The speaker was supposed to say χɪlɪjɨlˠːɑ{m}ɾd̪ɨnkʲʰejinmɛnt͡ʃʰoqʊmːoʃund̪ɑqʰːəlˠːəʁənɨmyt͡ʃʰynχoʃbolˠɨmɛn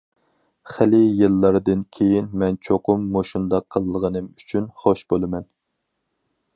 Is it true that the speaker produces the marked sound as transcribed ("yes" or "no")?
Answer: no